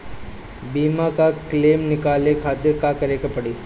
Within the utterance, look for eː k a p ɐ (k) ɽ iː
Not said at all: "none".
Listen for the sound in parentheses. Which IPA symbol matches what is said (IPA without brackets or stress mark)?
none